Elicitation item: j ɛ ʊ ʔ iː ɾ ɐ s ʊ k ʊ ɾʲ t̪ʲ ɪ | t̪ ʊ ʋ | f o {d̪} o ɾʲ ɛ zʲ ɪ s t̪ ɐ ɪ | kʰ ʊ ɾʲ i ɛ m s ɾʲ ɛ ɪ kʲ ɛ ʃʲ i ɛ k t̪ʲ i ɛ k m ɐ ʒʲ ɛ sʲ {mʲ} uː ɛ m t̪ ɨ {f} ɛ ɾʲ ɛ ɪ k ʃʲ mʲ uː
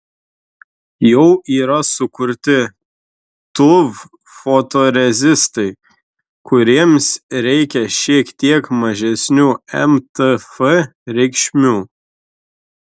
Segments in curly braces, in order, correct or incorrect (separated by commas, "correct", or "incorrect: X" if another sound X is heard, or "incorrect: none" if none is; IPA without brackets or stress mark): incorrect: t̪, incorrect: nʲ, correct